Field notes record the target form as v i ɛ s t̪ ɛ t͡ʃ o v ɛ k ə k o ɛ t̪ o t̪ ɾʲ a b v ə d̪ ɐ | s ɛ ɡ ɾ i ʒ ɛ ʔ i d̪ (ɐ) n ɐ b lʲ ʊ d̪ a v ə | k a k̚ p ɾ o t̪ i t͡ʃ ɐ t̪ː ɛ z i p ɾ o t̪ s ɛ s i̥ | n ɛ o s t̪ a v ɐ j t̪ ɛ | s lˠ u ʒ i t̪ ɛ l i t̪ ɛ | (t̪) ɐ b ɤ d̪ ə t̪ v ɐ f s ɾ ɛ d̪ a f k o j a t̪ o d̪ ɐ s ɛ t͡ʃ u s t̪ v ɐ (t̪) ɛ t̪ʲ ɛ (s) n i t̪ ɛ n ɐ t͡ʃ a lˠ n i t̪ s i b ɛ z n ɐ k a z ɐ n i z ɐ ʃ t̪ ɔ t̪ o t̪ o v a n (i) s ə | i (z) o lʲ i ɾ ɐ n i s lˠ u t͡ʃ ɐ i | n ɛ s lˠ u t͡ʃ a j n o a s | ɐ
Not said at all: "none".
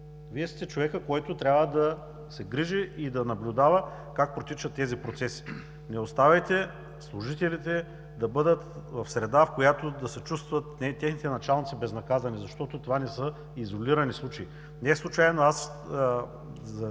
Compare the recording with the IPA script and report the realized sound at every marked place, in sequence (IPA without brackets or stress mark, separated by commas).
ɐ, d̪, t̪, x, ɛ, z